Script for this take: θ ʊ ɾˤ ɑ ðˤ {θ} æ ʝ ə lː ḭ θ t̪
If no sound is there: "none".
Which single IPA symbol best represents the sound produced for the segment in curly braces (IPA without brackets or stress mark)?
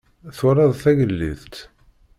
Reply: θ